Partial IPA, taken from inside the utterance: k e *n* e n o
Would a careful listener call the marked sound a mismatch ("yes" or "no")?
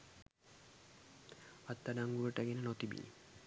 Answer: no